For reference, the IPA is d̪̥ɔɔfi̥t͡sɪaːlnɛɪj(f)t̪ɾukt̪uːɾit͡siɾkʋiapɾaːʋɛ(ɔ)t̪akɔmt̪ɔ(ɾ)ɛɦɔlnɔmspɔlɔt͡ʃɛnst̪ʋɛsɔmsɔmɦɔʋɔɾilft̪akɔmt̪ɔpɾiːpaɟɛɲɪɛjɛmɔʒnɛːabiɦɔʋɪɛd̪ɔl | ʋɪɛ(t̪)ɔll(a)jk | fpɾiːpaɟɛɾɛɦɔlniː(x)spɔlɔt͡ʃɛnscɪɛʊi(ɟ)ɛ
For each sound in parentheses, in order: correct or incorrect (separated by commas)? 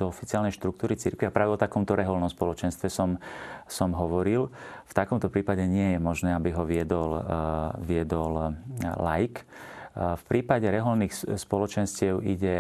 incorrect, correct, correct, incorrect, correct, correct, correct